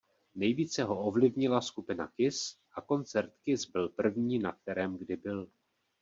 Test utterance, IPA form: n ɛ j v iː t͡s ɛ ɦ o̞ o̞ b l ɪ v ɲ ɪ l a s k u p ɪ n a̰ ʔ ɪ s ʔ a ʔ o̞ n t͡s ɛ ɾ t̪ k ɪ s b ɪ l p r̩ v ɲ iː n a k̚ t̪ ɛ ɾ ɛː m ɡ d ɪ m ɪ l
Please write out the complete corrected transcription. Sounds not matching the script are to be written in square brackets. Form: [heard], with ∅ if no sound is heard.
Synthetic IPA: n ɛ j v iː t͡s ɛ ɦ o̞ o̞ [v] l ɪ v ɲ ɪ l a s k u p ɪ n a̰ [k] ɪ s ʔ a [k] o̞ n t͡s ɛ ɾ t̪ k ɪ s b ɪ l p r̩ v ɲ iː n a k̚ t̪ ɛ ɾ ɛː m ɡ d ɪ [b] ɪ l